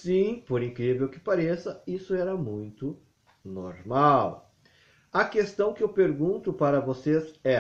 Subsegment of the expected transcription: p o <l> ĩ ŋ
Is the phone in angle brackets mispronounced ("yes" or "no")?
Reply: yes